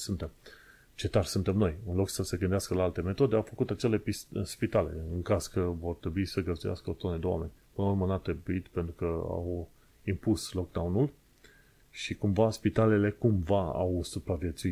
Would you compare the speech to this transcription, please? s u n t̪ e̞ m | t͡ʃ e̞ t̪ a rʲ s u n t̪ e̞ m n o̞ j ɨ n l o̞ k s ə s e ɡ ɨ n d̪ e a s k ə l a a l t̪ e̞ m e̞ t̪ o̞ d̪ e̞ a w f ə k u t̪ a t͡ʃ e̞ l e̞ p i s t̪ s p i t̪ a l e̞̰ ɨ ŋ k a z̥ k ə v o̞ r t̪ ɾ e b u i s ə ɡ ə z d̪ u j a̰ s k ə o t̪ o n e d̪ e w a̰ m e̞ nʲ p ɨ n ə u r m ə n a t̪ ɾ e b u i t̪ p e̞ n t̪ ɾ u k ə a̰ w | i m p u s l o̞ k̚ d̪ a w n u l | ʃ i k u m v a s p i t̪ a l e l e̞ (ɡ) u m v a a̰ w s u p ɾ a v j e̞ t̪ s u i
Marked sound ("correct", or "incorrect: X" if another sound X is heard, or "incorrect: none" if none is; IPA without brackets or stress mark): incorrect: k